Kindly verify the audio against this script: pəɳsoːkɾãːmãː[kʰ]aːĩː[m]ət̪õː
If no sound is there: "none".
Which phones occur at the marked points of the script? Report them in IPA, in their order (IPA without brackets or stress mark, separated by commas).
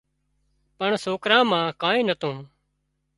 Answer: k, n